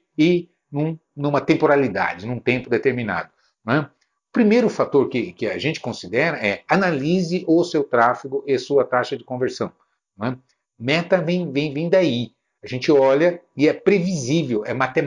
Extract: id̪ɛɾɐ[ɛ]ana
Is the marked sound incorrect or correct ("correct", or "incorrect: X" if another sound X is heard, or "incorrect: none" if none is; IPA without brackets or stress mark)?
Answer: correct